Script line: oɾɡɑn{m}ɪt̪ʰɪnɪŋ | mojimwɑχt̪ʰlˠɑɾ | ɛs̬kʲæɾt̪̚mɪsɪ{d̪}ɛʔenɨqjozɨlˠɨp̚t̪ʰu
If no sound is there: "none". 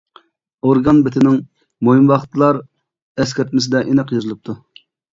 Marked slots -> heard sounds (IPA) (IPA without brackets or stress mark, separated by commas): b, d̪